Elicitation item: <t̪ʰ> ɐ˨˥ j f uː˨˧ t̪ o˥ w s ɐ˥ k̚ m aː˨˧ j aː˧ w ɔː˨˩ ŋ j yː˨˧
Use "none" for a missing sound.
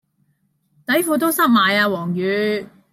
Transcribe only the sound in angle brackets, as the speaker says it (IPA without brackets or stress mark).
t̪